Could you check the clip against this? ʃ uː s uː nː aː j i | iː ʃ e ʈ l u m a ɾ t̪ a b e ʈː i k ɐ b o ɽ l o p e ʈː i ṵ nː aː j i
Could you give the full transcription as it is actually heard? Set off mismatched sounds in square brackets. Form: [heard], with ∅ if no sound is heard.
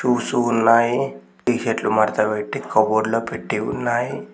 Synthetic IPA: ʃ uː s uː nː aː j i | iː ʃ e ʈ l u m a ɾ t̪ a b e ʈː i k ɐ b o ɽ l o p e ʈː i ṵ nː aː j i